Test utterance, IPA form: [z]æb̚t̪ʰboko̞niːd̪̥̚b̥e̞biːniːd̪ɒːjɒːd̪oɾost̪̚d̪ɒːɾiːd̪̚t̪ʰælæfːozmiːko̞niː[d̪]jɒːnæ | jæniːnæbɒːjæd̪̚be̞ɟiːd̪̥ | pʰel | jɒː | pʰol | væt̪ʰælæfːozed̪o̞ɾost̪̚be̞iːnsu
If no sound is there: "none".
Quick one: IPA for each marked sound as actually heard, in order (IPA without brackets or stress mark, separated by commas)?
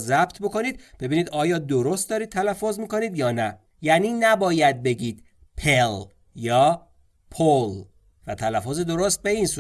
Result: z, d̪